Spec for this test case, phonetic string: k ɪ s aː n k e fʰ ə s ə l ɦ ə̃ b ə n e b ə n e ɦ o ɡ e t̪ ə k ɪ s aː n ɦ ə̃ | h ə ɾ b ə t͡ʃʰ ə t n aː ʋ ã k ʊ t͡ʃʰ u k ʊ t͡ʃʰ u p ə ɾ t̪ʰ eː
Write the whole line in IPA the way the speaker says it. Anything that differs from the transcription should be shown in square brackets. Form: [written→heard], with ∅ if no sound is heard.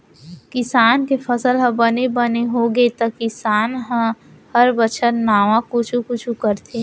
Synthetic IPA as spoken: k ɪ s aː n k e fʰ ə s ə l ɦ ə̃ b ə n e b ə n e ɦ o ɡ e t̪ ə k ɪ s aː n ɦ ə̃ | h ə ɾ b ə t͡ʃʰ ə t n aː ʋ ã k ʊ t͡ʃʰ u k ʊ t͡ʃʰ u [p→k] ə ɾ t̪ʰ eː